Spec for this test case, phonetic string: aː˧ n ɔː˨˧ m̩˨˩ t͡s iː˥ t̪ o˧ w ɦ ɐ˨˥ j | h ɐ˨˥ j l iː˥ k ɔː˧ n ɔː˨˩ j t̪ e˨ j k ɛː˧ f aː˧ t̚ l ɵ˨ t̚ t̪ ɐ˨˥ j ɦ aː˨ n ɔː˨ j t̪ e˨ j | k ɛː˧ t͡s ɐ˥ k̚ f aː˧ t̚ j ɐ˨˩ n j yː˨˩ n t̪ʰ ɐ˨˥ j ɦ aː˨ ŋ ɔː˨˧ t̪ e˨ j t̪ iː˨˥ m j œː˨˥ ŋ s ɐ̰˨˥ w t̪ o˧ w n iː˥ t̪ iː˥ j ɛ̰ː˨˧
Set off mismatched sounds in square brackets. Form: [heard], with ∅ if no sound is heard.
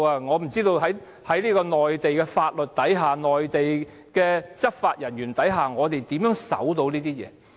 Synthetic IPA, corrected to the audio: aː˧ [ŋ] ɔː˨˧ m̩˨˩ t͡s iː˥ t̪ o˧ w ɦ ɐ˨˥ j | h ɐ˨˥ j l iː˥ k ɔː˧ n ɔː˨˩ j t̪ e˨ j k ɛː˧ f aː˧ t̚ l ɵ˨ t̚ t̪ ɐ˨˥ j ɦ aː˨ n ɔː˨ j t̪ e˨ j | k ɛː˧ t͡s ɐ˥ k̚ f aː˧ t̚ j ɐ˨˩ n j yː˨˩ n [t̪] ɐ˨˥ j ɦ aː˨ ŋ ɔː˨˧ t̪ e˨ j t̪ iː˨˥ m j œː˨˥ ŋ s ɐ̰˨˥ w t̪ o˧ w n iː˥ t̪ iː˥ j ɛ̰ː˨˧